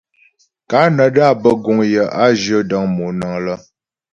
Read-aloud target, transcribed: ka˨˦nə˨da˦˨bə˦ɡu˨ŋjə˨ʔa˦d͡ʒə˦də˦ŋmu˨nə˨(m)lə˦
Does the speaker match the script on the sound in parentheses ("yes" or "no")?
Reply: no